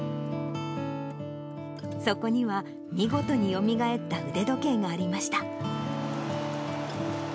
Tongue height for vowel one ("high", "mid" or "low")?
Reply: mid